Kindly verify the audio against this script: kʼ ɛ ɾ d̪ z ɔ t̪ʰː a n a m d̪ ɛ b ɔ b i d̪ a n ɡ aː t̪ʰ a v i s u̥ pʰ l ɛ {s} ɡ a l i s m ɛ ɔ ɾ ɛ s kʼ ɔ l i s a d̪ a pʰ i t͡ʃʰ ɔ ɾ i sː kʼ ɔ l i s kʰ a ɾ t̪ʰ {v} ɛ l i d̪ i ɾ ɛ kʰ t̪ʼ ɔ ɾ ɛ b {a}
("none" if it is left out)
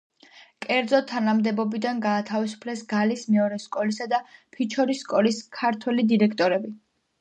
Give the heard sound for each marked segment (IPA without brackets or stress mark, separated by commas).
s, w, i